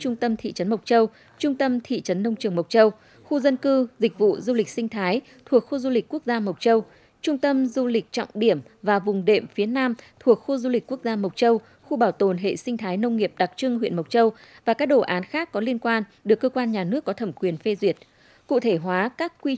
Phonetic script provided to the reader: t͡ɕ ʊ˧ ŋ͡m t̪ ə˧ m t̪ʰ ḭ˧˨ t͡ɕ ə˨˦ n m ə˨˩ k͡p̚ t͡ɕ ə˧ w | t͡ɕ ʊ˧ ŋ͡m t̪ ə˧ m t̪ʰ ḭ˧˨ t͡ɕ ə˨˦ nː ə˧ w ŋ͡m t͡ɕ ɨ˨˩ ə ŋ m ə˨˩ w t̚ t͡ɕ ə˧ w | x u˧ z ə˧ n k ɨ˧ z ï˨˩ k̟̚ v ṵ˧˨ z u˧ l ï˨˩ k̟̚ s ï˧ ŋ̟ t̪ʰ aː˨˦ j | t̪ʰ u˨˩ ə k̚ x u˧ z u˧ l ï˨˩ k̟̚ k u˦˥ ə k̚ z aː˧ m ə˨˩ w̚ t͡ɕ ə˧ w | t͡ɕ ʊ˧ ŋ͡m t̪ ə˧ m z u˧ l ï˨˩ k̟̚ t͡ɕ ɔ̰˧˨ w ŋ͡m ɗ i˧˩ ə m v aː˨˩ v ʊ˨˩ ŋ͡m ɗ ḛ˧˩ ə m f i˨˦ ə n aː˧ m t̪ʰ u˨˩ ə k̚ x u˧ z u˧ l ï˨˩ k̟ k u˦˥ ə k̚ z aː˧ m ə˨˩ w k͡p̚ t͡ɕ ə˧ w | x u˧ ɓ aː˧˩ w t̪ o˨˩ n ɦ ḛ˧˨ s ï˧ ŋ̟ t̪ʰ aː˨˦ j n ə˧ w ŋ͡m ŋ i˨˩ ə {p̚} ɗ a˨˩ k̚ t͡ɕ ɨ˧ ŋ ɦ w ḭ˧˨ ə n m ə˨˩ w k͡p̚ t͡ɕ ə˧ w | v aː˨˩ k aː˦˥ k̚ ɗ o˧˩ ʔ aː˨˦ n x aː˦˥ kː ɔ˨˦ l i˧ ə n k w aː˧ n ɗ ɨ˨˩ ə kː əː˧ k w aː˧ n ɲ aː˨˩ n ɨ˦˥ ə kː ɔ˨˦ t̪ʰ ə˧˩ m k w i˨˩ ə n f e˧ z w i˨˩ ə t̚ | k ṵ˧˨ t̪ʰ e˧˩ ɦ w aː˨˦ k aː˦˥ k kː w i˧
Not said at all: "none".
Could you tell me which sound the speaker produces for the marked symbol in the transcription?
p̚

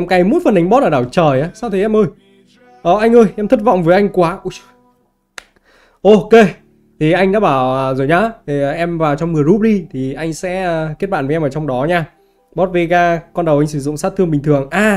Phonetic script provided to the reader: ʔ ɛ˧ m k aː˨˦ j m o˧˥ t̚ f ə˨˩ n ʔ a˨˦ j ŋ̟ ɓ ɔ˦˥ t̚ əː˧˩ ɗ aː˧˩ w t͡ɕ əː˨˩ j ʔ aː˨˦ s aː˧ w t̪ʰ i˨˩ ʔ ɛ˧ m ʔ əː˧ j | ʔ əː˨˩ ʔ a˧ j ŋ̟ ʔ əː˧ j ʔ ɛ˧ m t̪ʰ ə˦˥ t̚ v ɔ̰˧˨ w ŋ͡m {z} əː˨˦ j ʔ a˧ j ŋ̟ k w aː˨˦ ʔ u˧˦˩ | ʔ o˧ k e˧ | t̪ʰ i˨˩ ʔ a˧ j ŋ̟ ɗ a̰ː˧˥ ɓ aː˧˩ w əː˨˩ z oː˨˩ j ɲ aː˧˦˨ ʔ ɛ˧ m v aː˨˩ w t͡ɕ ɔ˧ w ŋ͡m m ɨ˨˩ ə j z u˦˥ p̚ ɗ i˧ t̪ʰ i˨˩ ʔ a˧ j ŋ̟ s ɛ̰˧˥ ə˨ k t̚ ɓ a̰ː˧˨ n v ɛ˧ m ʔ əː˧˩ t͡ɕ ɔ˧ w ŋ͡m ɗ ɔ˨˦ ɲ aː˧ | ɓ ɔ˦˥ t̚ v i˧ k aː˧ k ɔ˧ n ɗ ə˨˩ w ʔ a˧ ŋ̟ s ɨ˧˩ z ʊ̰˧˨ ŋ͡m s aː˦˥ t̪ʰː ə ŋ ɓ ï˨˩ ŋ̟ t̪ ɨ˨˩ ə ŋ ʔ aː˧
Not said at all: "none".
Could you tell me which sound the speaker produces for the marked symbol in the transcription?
v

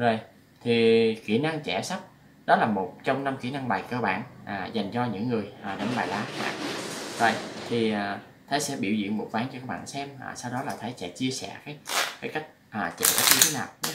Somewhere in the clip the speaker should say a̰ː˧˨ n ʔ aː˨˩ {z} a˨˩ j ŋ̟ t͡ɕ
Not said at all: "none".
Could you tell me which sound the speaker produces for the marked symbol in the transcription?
z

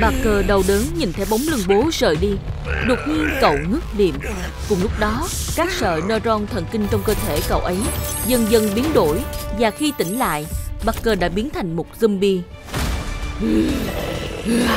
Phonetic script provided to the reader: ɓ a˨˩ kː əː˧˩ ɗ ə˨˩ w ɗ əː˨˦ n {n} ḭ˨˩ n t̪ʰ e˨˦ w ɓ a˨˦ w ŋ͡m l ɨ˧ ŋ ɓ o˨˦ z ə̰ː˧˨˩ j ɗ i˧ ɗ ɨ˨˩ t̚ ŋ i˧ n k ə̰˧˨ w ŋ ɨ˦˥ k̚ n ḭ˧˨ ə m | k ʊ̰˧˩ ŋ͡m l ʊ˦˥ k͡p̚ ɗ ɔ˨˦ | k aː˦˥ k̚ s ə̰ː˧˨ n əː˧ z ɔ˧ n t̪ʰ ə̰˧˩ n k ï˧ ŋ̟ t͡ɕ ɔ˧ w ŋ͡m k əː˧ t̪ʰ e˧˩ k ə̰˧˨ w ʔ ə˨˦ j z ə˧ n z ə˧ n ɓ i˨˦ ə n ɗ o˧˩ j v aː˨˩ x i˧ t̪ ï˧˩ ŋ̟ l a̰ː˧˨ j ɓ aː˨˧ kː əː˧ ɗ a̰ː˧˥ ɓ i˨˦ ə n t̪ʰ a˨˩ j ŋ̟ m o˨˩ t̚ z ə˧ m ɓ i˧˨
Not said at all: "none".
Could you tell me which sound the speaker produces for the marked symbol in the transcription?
ɲ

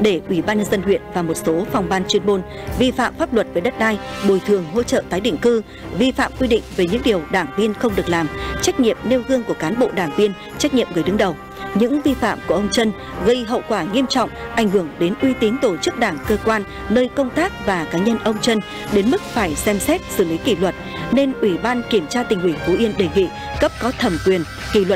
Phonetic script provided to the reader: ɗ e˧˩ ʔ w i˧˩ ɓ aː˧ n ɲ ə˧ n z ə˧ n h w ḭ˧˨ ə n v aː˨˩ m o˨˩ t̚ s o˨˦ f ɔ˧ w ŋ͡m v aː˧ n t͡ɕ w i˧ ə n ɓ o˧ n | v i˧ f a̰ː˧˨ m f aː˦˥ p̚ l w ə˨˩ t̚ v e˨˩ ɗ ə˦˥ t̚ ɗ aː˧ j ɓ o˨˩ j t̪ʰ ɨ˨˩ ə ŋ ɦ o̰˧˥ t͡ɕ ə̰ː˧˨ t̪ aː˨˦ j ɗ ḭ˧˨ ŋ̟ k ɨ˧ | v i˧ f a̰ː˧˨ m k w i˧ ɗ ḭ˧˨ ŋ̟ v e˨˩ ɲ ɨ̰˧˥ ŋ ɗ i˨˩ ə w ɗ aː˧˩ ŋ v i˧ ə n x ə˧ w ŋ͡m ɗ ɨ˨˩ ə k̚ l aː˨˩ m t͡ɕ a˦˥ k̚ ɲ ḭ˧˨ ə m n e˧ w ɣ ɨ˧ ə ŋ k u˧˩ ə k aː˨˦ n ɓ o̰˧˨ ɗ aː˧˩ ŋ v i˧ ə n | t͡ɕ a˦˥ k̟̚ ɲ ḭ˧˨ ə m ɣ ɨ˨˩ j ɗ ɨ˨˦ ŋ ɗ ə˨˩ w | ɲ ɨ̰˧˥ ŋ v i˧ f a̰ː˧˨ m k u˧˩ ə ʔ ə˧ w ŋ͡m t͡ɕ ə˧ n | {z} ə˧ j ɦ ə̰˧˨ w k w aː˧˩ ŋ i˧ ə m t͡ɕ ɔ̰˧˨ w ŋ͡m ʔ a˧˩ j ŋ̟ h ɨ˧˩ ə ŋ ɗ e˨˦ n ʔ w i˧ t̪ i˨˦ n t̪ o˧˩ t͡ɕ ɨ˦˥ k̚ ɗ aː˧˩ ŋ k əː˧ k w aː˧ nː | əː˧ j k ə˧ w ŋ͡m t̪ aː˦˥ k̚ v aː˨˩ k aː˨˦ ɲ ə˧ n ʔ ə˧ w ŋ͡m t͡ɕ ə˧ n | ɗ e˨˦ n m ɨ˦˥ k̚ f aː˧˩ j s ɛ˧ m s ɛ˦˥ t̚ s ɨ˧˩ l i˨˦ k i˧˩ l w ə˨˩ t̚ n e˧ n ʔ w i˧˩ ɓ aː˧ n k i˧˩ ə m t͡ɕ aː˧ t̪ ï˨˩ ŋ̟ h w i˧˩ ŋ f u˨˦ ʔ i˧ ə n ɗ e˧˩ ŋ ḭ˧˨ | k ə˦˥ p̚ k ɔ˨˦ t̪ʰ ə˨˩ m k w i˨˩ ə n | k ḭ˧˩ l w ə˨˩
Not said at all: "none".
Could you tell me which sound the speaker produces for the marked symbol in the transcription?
ɣ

